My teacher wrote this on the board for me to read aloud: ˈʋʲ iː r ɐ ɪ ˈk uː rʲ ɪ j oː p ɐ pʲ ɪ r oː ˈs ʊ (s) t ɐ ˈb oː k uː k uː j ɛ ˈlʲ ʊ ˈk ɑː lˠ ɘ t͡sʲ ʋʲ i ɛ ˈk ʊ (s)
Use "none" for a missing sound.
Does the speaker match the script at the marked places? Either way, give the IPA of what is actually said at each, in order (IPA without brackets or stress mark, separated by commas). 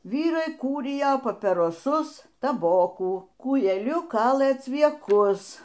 s, s